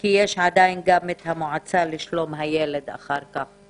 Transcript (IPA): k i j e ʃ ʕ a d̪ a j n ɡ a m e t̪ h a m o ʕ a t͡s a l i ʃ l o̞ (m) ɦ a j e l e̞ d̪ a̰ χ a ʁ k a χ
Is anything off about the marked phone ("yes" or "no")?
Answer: no